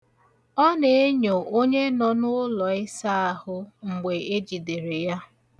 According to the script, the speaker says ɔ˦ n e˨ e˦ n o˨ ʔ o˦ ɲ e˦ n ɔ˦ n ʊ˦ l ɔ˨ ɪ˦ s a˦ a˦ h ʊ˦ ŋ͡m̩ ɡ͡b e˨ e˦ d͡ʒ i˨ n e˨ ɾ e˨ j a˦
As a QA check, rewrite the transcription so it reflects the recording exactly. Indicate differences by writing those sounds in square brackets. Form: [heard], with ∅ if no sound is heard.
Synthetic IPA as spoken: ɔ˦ n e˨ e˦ [ɲ] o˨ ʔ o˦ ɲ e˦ n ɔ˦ n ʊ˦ l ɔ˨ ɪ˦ s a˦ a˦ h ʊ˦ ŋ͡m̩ ɡ͡b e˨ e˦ d͡ʒ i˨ [d] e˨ ɾ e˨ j a˦